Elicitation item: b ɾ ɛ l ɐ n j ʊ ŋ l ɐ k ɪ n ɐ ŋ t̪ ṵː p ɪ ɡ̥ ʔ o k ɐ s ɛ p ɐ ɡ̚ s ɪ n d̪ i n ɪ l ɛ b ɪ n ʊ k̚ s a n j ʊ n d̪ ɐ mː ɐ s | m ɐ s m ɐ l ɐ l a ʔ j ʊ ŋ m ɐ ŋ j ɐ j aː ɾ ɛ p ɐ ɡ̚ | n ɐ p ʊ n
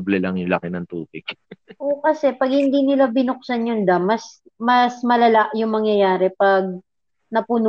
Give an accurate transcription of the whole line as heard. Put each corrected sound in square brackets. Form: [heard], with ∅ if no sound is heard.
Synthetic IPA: b [l] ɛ l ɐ [ŋ] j ʊ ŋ l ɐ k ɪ n ɐ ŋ t̪ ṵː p ɪ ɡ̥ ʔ o k ɐ s ɛ p ɐ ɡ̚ [h] ɪ n d̪ i n ɪ l [a] b ɪ n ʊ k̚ s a n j ʊ n d̪ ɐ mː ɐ s | m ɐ s m ɐ l ɐ l a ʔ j ʊ ŋ m ɐ ŋ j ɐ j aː ɾ ɛ p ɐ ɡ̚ | n ɐ p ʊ n